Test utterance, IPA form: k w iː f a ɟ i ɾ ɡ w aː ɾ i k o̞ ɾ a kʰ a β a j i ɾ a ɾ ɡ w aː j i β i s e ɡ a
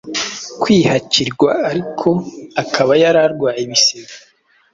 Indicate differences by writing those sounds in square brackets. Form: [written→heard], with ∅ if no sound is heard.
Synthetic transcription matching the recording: k w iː [f→h] a [ɟ→c] i ɾ ɡ w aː ɾ i [k→kʰ] o̞ [ɾ→∅] a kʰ a β a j [i→a] ɾ a ɾ ɡ w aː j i β i s e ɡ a